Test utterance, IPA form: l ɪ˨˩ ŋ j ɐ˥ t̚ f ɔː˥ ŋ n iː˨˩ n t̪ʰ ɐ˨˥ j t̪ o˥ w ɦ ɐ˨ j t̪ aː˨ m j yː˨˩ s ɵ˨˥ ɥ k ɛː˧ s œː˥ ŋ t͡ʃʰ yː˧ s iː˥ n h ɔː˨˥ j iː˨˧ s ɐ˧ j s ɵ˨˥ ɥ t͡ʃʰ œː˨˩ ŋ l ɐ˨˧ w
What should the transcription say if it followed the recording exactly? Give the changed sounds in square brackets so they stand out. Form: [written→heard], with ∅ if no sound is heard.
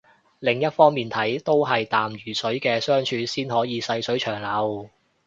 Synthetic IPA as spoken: l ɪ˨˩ ŋ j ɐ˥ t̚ f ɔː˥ ŋ [n→m] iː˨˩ n t̪ʰ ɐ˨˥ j t̪ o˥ w ɦ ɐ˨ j t̪ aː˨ m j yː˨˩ s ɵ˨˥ ɥ k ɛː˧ s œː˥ ŋ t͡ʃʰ yː˧ s iː˥ n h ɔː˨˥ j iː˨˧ s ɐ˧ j s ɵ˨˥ ɥ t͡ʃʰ œː˨˩ ŋ l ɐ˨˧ w